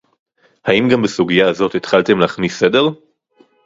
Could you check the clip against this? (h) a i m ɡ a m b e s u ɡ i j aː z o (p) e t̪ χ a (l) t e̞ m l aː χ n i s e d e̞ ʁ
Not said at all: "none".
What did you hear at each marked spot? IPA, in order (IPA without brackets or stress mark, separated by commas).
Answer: h, t, l